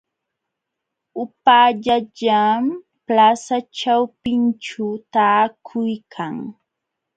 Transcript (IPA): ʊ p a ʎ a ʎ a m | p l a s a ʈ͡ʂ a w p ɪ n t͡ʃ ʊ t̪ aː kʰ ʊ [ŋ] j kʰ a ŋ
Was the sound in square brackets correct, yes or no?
no